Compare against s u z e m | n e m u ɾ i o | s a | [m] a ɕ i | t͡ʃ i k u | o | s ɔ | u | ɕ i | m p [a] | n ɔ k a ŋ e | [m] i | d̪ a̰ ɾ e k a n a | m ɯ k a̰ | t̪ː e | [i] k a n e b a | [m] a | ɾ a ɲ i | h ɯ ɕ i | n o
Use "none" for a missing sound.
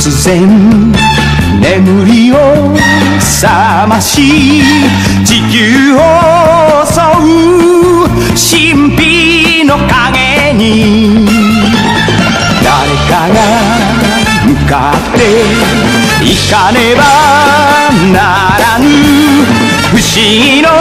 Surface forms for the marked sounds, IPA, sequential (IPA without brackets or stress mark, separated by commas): m, i, ɲ, i, n